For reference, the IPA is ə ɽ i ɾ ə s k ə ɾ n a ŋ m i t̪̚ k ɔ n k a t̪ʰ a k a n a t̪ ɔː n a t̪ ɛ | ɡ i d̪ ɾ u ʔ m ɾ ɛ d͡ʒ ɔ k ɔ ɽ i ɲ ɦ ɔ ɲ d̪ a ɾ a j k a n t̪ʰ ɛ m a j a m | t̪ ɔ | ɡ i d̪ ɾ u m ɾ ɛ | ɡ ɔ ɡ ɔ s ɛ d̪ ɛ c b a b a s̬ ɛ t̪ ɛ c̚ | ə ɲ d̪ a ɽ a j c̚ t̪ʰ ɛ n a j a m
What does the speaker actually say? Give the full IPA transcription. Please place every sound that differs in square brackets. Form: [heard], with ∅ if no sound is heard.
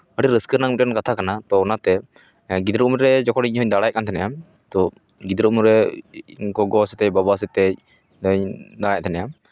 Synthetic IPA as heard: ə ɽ i ɾ ə s k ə ɾ n a ŋ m i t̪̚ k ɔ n k a t̪ʰ a k a n a t̪ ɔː n a t̪ ɛ | ɡ i d̪ ɾ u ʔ m ɾ ɛ d͡ʒ ɔ k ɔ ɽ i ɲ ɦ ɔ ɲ d̪ a [ɽ] a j k a n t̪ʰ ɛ [n] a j a m | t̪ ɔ | ɡ i d̪ ɾ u m ɾ ɛ | ɡ ɔ ɡ ɔ s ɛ [t̪] ɛ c b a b a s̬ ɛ t̪ ɛ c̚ | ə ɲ d̪ a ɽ a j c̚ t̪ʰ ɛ n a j a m